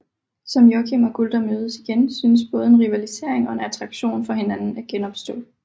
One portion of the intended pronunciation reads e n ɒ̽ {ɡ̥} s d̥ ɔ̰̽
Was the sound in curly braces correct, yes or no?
no